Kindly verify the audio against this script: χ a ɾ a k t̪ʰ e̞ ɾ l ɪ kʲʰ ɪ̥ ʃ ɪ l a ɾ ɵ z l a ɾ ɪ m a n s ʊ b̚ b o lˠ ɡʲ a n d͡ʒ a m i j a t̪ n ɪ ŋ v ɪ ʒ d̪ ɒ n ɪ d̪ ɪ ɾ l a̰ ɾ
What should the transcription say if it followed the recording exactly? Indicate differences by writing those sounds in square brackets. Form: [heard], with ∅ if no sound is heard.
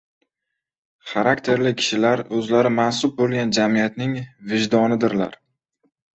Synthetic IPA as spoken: χ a ɾ a k t̪ʰ e̞ ɾ l ɪ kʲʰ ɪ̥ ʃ ɪ l a ɾ ɵ z l a ɾ ɪ m a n s ʊ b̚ b o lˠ ɡʲ a n d͡ʒ a m i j a t̪ n ɪ ŋ v ɪ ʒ d̪ ɒ n ɪ d̪ ɪ ɾ l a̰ ɾ